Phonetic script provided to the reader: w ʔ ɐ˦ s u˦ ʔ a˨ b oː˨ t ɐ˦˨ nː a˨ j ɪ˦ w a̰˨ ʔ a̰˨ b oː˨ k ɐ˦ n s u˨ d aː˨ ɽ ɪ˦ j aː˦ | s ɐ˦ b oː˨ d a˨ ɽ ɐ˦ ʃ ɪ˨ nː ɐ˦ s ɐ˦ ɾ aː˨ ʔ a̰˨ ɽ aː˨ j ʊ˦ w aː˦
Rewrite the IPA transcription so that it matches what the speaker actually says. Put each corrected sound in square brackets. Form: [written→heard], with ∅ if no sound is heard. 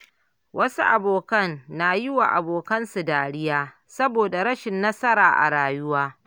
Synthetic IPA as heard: w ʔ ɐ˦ s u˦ ʔ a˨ b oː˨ [t→k] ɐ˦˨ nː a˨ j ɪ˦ w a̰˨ ʔ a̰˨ b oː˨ k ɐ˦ n s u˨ d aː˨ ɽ ɪ˦ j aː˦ | s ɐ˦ b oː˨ d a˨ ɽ ɐ˦ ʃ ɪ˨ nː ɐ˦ s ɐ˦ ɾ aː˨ ʔ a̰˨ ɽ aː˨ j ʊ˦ w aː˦